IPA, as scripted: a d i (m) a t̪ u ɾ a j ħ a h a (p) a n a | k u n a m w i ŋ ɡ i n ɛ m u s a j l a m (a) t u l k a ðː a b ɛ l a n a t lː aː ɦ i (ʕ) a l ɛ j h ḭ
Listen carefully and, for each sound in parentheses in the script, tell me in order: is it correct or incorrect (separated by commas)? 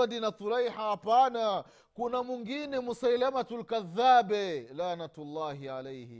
incorrect, correct, correct, correct